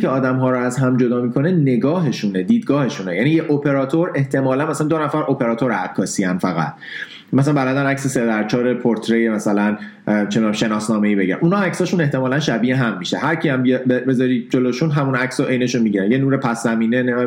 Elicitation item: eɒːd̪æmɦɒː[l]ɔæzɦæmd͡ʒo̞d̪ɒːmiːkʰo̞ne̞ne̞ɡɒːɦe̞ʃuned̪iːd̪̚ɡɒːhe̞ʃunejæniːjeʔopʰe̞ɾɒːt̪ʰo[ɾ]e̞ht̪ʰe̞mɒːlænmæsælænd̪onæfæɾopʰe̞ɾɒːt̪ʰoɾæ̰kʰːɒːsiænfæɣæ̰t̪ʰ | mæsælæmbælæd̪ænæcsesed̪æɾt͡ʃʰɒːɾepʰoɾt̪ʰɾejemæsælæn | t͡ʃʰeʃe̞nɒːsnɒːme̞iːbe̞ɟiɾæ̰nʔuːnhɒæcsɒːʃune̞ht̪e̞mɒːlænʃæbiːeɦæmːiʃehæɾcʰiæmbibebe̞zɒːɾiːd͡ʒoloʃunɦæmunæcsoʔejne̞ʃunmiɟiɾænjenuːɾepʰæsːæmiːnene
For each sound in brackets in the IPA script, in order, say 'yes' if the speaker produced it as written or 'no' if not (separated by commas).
no, yes